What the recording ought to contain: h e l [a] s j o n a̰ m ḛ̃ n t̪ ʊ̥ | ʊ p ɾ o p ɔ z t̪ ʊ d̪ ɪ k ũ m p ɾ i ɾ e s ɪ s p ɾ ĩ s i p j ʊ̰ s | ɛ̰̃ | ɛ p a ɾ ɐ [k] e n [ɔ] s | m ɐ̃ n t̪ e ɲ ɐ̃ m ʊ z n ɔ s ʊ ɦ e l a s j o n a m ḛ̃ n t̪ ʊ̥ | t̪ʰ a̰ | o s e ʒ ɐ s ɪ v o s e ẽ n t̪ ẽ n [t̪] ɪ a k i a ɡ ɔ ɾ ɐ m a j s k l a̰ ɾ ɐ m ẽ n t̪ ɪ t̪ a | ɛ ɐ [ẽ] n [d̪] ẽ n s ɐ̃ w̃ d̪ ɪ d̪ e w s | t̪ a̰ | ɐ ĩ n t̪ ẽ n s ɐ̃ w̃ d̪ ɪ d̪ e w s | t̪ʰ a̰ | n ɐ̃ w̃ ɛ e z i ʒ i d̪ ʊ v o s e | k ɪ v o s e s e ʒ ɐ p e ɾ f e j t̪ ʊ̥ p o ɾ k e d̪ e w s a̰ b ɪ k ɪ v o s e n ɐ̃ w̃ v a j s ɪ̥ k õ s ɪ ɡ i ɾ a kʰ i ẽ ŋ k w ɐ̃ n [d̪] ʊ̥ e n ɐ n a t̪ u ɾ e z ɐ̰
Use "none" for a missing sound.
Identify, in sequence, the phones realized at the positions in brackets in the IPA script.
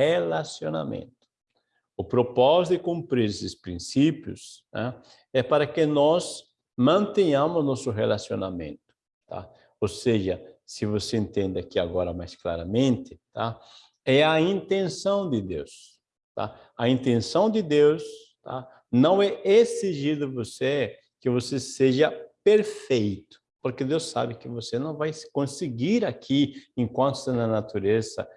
a, k, ɔ, d̪, ĩ, t̪, t̪

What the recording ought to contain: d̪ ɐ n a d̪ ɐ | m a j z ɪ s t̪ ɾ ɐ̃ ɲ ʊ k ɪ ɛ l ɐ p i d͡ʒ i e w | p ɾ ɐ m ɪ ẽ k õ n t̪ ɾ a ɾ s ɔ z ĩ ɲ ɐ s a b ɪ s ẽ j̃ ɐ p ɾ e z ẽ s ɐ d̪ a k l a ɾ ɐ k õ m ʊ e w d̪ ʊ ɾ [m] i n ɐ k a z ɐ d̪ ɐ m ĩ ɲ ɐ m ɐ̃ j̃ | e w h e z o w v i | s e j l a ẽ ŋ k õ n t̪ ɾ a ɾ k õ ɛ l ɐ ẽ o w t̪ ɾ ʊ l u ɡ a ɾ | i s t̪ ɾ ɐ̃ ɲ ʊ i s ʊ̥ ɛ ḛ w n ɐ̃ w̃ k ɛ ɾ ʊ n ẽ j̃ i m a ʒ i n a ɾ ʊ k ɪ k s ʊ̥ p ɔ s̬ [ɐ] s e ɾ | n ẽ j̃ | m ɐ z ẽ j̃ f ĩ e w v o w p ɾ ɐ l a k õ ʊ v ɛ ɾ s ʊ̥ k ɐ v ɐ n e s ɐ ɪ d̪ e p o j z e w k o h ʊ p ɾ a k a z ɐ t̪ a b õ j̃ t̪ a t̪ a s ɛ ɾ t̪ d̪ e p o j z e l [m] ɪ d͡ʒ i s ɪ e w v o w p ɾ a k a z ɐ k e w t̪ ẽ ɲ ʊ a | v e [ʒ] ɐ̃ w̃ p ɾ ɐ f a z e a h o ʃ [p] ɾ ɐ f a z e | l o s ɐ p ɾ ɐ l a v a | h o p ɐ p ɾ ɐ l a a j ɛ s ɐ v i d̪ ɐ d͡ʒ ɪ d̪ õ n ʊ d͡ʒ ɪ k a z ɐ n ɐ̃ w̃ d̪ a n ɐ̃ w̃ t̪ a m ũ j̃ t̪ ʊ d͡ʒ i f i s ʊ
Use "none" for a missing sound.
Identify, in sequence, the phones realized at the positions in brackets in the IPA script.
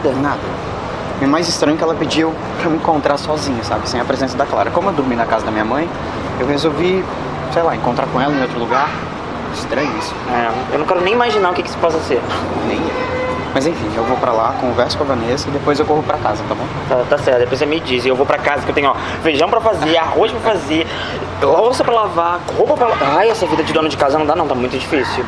m, ɐ, m, ʒ, p

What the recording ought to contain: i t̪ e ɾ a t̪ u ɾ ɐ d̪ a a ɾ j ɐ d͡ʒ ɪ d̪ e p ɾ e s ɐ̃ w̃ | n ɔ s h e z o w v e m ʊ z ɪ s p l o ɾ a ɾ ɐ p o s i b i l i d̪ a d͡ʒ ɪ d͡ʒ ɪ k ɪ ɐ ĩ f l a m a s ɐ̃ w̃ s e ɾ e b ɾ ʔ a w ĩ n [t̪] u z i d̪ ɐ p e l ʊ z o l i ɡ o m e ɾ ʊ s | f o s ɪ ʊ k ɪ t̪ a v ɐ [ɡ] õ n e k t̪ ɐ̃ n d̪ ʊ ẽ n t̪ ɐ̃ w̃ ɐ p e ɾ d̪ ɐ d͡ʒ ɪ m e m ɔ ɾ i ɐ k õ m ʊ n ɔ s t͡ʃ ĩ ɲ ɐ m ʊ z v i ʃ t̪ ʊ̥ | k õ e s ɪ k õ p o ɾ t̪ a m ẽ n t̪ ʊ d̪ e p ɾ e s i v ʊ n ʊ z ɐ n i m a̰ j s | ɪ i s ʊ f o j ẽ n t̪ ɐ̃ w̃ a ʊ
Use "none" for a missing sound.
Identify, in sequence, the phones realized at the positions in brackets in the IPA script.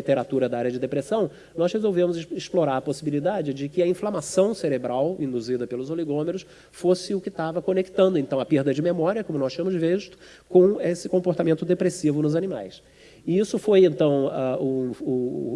d̪, k

